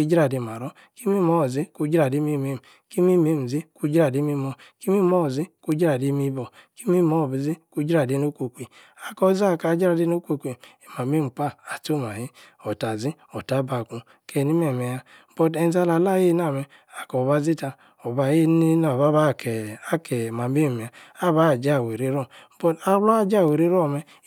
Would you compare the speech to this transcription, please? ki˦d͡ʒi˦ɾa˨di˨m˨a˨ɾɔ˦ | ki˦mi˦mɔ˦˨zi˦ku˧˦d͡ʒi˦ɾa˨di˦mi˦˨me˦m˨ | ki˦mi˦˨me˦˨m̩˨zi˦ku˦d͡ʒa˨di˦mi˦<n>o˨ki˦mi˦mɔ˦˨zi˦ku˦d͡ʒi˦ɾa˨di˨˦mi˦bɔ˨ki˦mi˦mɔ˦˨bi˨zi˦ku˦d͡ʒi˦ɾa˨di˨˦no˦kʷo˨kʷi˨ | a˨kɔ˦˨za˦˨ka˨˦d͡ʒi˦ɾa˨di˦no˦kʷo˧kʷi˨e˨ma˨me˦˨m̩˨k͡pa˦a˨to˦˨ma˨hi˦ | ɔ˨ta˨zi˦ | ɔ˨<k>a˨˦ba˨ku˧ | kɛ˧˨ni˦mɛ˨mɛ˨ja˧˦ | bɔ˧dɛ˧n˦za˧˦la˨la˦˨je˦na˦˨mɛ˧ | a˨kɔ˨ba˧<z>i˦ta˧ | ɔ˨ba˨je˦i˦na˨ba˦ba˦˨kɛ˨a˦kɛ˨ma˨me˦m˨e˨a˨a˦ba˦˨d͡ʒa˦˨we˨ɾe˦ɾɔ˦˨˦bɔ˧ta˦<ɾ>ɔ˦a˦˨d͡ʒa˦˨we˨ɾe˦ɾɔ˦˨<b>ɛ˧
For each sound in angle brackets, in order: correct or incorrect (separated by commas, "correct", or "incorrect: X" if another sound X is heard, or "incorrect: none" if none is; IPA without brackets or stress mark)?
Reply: incorrect: m, incorrect: t, correct, incorrect: l, incorrect: m